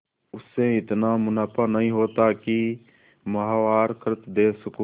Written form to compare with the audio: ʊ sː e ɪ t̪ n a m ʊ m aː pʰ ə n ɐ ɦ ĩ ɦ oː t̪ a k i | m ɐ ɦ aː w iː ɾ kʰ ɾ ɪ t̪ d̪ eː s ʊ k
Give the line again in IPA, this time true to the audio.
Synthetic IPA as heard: ʊ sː e ɪ t̪ n a m ʊ n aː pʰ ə n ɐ ɦ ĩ ɦ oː t̪ a k i | m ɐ ɦ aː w aː ɾ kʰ ɾ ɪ t̪ d̪ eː s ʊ k